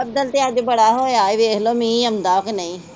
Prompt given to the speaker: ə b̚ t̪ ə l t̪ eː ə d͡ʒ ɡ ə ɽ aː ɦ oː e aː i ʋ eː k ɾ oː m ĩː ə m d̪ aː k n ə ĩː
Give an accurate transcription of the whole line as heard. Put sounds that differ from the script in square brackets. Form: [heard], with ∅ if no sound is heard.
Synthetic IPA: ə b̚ [d̪] ə l t̪ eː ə d͡ʒ [b] ə ɽ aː ɦ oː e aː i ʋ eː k [l] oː m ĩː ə m d̪ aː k n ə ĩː